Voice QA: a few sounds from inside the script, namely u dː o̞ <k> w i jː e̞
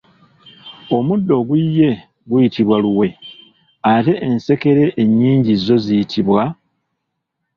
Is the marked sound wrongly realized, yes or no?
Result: yes